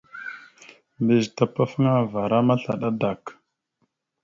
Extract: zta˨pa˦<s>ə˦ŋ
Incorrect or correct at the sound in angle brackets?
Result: incorrect: f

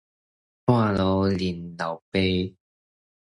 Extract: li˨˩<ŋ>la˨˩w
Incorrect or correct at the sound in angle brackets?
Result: incorrect: n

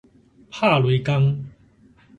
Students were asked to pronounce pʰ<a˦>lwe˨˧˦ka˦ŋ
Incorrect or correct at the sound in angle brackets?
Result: incorrect: a˥˨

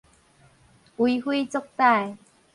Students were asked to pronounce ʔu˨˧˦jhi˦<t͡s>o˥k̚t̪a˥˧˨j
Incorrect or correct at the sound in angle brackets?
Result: correct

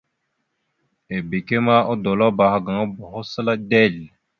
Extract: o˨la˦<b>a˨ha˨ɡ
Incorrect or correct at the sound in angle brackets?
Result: correct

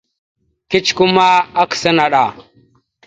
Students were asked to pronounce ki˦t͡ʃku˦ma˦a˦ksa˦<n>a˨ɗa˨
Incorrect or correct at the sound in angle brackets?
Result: correct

